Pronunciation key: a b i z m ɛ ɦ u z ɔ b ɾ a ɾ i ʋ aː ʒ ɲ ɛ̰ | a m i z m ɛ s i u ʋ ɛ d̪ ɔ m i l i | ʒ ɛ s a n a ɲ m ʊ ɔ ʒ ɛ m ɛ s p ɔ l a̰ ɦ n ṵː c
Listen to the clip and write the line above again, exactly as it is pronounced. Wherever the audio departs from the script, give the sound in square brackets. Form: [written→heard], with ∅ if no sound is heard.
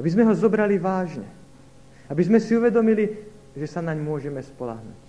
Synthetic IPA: a b i z m ɛ ɦ [u→ɔ] z ɔ b ɾ a [ɾ→l] i ʋ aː ʒ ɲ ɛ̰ | a [m→b] i z m ɛ s i u ʋ ɛ d̪ ɔ m i l i | ʒ ɛ s a n a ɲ m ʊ ɔ ʒ ɛ m ɛ s p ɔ l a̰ ɦ n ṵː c